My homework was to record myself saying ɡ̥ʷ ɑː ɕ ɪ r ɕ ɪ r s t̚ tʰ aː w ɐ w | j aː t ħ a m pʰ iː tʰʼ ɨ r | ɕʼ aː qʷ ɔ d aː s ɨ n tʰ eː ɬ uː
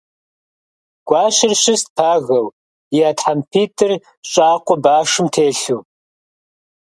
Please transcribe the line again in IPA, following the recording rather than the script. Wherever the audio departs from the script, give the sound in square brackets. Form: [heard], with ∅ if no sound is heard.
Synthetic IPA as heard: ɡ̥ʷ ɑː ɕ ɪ r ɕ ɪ [∅] s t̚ [pʰ] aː [ɣ] ɐ w | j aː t ħ a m pʰ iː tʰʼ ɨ r | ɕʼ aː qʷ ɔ [b] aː [ʂ] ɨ [m] tʰ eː ɬ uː